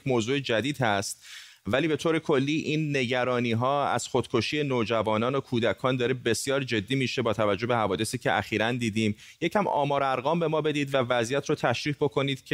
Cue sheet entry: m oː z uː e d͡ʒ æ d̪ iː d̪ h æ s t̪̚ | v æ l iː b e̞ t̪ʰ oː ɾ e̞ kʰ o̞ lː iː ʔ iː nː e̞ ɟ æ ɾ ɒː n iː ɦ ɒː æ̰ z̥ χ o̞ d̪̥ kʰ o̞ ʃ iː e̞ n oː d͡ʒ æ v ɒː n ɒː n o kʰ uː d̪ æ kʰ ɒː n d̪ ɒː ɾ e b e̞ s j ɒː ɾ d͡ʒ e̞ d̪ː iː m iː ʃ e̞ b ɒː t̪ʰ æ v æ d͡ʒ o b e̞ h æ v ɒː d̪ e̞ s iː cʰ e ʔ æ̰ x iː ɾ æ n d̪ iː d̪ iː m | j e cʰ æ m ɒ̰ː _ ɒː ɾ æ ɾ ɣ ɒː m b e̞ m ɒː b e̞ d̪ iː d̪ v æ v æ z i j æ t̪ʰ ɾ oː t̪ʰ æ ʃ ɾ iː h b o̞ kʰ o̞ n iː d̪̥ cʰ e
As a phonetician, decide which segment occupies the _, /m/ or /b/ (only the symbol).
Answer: m